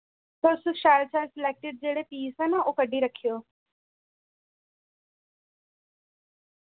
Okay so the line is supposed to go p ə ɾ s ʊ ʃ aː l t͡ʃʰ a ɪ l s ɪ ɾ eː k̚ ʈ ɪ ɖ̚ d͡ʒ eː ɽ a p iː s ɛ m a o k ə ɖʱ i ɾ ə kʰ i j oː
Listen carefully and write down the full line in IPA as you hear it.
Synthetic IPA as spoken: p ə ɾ s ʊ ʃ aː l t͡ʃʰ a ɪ l s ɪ l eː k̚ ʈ ɪ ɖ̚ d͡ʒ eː ɽ e p iː s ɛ n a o k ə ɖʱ i ɾ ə kʰ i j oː